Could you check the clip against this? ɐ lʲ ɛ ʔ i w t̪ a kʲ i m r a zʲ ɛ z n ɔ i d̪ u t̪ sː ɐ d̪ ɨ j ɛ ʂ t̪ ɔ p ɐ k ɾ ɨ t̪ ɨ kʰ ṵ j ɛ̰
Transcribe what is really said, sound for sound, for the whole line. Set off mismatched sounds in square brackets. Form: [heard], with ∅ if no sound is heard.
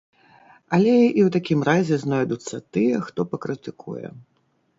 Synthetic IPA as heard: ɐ lʲ ɛ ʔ i w t̪ a kʲ i m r a zʲ ɛ z n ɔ [j] d̪ u t̪ sː ɐ [t̪] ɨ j ɛ [x] t̪ ɔ p ɐ k ɾ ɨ t̪ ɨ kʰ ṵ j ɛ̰